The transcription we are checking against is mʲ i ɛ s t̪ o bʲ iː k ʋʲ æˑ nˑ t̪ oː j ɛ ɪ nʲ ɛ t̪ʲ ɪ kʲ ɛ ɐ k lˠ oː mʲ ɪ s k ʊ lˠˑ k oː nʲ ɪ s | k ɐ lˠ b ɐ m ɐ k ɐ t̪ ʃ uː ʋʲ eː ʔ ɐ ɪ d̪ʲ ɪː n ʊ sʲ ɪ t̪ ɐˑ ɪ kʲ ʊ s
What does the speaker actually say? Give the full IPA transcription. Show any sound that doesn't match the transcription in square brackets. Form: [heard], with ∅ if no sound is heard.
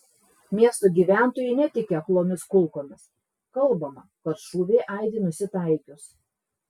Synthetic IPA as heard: mʲ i ɛ s t̪ o [ɡʲ] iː [∅] ʋʲ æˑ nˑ t̪ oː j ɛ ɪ nʲ ɛ t̪ʲ ɪ kʲ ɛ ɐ k lˠ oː mʲ ɪ s k ʊ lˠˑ k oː [mʲ] ɪ s | k ɐ lˠ b ɐ m ɐ k ɐ t̪ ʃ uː ʋʲ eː ʔ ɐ ɪ d̪ʲ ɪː n ʊ sʲ ɪ t̪ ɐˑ ɪ kʲ ʊ s